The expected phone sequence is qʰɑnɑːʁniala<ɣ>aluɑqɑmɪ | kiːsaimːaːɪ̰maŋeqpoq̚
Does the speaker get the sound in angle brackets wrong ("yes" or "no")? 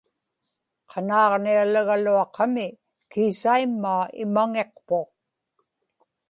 no